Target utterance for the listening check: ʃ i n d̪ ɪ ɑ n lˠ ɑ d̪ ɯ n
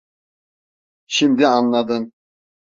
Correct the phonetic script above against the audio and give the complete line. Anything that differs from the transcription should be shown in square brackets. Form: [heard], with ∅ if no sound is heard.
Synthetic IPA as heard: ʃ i [m] d̪ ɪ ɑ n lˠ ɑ d̪ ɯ n